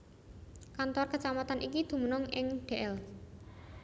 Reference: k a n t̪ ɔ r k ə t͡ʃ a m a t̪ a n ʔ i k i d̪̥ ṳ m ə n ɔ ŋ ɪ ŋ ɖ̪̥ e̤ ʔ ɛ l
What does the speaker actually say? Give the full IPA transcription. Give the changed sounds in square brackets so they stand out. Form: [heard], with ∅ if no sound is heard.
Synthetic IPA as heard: k a n t̪ ɔ r k ə t͡ʃ a m a t̪ a n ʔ i k i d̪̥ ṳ m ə n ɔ ŋ ɪ ŋ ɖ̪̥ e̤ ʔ ɛ l

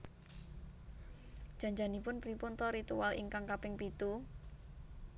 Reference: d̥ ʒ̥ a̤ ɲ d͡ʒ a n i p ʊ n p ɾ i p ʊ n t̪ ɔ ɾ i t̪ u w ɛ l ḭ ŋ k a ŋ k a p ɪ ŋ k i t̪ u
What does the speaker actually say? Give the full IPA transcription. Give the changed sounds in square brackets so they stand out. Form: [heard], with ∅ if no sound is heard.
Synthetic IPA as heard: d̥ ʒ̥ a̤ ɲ d͡ʒ a n i p ʊ n p ɾ i p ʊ n t̪ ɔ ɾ i t̪ u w [a] l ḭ ŋ k a ŋ k a p ɪ ŋ [p] i t̪ u

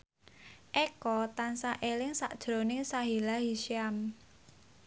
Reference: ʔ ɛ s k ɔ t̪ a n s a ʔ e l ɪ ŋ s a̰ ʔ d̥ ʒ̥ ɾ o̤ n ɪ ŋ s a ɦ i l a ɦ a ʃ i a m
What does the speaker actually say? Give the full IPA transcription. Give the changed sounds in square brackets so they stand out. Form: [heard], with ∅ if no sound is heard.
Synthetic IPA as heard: ʔ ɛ [∅] k ɔ t̪ a n s a ʔ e l ɪ ŋ s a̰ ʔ d̥ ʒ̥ ɾ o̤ n ɪ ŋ s a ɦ i l a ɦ [i] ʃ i a m

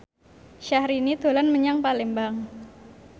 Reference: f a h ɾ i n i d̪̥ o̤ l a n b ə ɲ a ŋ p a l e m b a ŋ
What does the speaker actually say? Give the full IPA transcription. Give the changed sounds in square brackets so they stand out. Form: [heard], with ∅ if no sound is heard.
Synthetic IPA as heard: [ʃ] a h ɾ i n i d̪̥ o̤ l a n [m] ə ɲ a ŋ p a l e m b a ŋ

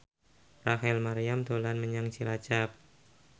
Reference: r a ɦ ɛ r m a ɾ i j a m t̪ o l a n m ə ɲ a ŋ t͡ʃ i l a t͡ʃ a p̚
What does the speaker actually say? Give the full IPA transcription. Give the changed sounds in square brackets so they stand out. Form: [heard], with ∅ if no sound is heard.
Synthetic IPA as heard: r a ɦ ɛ [l] m a ɾ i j a m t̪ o l a n m ə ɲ a ŋ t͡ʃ i l a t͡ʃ a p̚

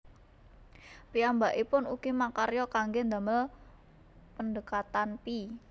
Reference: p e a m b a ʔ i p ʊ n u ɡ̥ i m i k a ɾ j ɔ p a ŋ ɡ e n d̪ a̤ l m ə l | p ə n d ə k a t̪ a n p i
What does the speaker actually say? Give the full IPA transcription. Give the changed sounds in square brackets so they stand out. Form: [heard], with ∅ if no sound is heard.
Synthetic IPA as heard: p [i] a m b a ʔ i p ʊ n u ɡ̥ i m [a] k a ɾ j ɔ [k] a ŋ ɡ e n d̪ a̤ [∅] m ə l | p ə n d ə k a t̪ a n p i

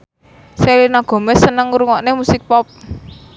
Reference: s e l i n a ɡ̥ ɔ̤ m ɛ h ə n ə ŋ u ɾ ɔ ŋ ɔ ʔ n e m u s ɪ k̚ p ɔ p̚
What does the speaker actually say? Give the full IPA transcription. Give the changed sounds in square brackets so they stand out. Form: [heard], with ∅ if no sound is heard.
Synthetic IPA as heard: s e l i n a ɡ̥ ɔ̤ m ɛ [s] ə n ə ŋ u ɾ [u] ŋ ɔ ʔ n e m u s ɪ k̚ p ɔ p̚

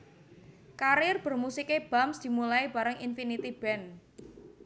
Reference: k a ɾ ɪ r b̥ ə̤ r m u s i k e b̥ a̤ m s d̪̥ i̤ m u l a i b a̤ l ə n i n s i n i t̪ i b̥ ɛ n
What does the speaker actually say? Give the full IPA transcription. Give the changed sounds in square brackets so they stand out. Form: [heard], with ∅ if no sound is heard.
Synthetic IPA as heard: k a ɾ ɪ r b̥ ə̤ r m u s i k e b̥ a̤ m s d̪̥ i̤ m u l a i b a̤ [ɾ] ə [ŋ] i n [f] i n i t̪ i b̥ ɛ n

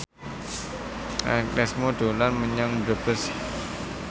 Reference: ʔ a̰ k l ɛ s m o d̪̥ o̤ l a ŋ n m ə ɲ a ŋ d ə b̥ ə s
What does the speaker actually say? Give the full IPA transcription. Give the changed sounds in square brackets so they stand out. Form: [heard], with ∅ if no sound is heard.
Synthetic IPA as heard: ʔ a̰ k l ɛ s m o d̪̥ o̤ l a [∅] n m ə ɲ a ŋ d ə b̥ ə s

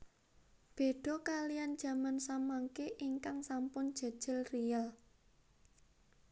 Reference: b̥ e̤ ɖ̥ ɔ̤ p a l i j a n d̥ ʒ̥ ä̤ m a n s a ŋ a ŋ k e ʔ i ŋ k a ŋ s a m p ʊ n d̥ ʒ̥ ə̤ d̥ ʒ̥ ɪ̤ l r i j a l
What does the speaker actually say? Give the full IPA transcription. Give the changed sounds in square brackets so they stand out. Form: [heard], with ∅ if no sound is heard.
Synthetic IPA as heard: b̥ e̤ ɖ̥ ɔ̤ [k] a l i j a n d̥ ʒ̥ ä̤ m a n s a [m] a ŋ k e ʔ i ŋ k a ŋ s a m p ʊ n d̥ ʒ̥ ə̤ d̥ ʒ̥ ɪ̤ l r i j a l

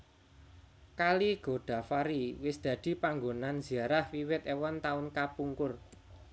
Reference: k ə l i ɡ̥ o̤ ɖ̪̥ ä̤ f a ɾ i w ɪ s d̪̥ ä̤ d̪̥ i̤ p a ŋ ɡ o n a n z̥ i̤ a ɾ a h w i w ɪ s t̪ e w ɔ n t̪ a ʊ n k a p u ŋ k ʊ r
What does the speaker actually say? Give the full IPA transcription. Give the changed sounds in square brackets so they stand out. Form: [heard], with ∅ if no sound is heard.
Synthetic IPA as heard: k [a] l i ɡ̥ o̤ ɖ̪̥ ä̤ f a ɾ i w ɪ s d̪̥ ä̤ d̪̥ i̤ p a ŋ ɡ o n a n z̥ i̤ a ɾ a h w i w ɪ [∅] t̪ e w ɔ n t̪ a ʊ n k a p u ŋ k ʊ r

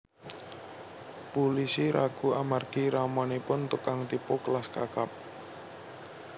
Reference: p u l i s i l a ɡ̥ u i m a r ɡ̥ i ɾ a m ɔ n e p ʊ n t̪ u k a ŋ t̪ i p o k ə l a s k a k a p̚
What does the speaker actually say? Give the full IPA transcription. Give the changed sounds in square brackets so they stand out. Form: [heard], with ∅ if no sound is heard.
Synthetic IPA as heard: p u l i s i [ɾ] a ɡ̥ u [a] m a r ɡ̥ i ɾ a m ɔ n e p ʊ n t̪ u k a ŋ t̪ i p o k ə l a s k a k a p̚

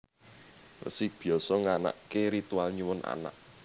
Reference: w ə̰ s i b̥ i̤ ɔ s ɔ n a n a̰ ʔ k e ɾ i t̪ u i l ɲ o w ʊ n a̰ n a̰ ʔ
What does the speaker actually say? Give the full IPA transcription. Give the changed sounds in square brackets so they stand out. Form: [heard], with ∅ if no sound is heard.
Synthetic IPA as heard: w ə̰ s i b̥ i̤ ɔ s ɔ [ŋ] a n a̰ ʔ k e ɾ i t̪ u [a] l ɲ [u] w ʊ n a̰ n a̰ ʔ

